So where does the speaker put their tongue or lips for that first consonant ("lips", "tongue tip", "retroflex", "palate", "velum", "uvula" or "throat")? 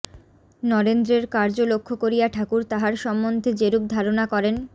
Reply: tongue tip